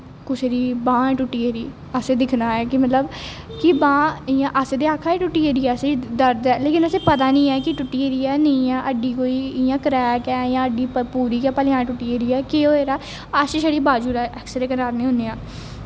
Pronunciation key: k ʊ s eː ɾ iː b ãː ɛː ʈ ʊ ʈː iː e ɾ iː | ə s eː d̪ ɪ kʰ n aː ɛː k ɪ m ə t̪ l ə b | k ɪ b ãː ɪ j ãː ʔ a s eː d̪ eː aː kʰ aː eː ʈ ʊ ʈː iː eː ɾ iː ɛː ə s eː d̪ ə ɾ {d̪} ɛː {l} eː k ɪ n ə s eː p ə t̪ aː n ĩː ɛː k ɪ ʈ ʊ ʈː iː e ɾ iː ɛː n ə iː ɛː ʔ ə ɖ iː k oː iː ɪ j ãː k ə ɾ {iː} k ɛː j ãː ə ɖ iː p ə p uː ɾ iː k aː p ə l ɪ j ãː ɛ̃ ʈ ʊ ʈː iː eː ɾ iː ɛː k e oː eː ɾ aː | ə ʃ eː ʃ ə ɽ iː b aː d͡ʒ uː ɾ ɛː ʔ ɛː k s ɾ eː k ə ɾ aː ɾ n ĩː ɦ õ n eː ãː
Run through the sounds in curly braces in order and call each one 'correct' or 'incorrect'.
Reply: correct, correct, incorrect: ɛː

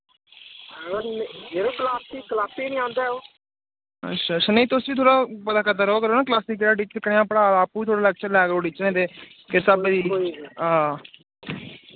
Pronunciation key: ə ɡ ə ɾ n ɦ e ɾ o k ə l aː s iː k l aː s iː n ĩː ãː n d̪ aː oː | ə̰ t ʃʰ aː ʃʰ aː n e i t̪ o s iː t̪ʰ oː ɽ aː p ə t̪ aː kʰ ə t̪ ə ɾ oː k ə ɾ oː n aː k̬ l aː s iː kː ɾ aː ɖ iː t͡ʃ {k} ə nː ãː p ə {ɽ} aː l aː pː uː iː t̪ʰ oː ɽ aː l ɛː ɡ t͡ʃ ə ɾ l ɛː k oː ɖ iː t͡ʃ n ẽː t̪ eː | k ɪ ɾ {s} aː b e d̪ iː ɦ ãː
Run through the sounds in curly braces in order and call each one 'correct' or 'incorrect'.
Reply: correct, correct, correct

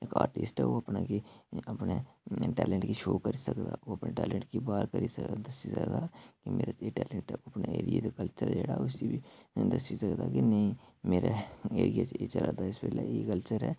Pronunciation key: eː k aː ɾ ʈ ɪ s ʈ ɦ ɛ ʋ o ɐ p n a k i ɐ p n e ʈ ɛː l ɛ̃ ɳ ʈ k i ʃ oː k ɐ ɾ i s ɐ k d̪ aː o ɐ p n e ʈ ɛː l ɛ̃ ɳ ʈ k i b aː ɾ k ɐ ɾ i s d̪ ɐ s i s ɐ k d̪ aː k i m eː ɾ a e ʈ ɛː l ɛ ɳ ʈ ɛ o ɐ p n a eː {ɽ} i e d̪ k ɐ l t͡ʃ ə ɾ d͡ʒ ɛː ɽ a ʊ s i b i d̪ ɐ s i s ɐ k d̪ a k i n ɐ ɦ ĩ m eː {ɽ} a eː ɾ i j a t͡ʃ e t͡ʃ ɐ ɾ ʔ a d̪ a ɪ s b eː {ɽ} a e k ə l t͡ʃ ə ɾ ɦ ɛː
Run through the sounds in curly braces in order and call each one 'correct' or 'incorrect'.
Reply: incorrect: ɾ, incorrect: ɾ, incorrect: l

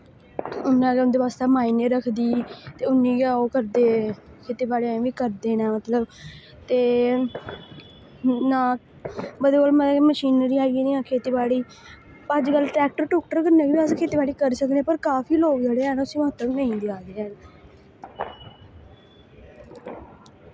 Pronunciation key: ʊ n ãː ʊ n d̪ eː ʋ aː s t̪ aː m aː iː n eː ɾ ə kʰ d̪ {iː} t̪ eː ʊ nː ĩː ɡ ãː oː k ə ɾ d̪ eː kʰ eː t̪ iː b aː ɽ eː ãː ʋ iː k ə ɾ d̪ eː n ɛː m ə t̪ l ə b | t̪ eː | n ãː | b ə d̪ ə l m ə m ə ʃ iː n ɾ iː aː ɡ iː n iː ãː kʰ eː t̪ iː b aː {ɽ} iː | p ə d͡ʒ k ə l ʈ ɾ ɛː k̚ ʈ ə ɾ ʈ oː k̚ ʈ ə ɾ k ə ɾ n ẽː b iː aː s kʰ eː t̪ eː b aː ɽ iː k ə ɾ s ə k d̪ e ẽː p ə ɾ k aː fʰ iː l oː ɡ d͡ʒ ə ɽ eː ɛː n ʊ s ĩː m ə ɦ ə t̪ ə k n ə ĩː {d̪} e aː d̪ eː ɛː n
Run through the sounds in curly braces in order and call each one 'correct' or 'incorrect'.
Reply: correct, correct, correct

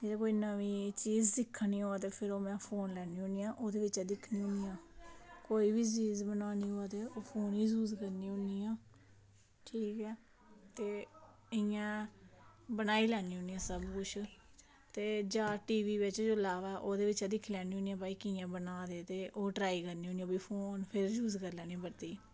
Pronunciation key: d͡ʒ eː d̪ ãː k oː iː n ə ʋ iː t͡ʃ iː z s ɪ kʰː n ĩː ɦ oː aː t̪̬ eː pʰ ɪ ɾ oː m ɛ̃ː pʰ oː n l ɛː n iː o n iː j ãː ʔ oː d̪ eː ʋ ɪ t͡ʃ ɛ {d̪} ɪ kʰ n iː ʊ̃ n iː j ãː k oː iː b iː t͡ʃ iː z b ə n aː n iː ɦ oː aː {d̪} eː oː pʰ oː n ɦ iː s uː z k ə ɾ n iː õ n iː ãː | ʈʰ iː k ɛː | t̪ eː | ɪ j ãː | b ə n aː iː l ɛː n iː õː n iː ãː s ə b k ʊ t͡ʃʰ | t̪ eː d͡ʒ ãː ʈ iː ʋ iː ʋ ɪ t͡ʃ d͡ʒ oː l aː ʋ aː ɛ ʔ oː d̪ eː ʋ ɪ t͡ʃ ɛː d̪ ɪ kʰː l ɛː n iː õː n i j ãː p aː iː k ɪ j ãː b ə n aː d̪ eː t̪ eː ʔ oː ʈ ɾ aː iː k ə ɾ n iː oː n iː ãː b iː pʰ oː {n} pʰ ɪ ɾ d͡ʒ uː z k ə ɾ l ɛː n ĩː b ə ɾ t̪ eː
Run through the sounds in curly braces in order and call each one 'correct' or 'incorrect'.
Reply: correct, incorrect: t̪, correct

